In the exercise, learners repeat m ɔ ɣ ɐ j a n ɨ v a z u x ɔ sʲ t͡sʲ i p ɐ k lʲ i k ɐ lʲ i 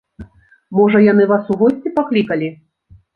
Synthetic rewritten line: m ɔ ʐ ɐ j a n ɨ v a s u ɣ ɔ sʲ t͡sʲ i p a k lʲ i k ɐ lʲ i